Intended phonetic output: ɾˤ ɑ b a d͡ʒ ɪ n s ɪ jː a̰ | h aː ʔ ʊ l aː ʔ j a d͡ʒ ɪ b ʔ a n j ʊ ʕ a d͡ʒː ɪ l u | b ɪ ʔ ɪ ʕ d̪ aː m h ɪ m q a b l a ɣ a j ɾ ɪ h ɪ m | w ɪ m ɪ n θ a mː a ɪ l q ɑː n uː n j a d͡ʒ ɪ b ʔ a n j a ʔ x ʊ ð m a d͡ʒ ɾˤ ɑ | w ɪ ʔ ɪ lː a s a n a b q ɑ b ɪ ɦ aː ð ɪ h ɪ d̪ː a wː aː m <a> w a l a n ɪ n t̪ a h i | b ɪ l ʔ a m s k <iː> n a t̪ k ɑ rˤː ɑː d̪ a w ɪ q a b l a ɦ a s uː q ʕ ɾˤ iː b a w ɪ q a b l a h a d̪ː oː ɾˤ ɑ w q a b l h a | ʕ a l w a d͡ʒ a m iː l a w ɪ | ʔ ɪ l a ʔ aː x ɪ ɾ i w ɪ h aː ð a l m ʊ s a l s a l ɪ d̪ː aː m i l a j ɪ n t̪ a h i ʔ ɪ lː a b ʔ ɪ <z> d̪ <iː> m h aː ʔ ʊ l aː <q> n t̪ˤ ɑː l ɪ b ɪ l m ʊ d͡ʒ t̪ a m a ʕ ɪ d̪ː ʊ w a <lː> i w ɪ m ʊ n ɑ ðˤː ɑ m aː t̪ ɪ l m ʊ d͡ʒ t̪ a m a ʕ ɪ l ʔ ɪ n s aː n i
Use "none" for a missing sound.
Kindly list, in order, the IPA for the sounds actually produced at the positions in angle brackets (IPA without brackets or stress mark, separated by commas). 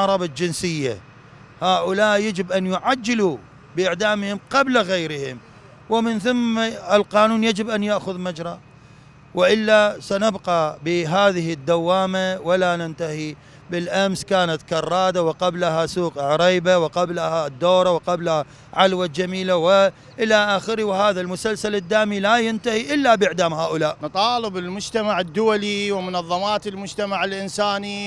a, aː, ʕ, aː, ʔ, l